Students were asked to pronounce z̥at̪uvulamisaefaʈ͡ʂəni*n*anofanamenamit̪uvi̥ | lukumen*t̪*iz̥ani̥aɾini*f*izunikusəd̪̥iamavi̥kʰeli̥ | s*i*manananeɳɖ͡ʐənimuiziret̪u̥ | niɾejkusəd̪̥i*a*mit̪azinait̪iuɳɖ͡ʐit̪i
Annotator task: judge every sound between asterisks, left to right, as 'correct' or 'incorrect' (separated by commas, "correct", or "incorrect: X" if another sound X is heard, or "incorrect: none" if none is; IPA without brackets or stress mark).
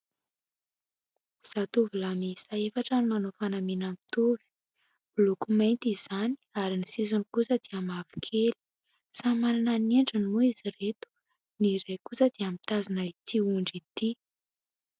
incorrect: m, correct, incorrect: s, incorrect: a, correct